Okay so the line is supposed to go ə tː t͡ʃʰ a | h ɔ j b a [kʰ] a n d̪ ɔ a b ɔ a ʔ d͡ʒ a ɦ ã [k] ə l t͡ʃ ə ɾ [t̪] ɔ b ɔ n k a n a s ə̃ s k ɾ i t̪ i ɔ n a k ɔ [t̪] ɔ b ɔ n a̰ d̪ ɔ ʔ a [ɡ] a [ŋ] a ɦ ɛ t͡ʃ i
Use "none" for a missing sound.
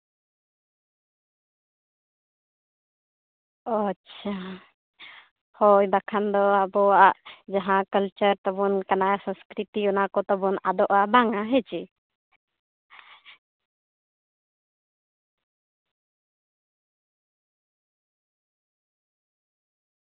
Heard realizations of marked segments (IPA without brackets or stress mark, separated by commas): kʰ, k, t̪, t̪, b, ŋ